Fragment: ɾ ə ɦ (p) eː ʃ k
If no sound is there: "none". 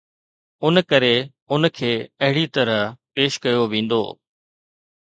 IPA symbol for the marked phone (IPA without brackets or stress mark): p